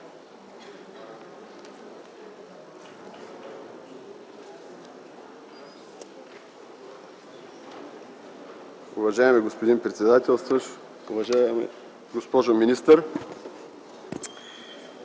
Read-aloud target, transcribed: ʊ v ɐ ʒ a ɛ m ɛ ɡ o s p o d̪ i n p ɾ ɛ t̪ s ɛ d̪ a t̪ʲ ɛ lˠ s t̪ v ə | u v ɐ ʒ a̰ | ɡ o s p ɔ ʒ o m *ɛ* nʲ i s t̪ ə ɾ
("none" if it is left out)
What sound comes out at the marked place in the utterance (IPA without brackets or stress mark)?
i